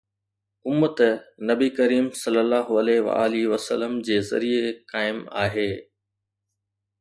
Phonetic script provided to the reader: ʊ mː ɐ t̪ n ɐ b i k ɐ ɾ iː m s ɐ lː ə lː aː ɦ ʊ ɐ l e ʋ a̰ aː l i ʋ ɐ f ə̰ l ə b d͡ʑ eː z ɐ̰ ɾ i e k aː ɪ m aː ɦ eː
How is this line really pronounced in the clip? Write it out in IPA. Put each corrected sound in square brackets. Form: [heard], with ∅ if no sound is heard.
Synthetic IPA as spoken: ʊ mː [ə] t̪ n ɐ b i k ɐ ɾ iː m s ɐ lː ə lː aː ɦ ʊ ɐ l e ʋ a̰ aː l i ʋ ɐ [s] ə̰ l ə [m] d͡ʑ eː z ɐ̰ ɾ i e k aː ɪ m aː ɦ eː